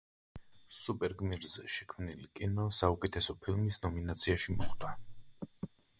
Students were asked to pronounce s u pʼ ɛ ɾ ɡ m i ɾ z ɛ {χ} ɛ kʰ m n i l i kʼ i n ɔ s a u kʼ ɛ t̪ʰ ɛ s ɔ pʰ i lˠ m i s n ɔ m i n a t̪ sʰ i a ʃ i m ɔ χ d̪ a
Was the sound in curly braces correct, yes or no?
no